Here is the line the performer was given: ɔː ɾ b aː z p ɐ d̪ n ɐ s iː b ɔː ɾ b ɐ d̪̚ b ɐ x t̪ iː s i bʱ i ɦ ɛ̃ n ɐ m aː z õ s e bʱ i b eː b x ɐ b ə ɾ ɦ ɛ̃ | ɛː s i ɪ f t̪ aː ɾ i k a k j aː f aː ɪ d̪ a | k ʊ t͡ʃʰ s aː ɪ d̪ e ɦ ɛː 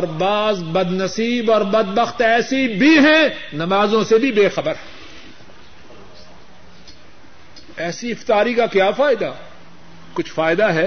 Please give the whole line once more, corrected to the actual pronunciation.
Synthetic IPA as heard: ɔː ɾ b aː z b ɐ d̪ n ɐ s iː b ɔː ɾ b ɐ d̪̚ b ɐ x t̪ ɛː s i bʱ i ɦ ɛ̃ n ɐ m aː z õ s e bʱ i b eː x ɐ b ə ɾ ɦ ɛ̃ | ɛː s i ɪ f t̪ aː ɾ i k a k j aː f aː ɪ d̪ a | k ʊ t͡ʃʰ f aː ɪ d̪ a ɦ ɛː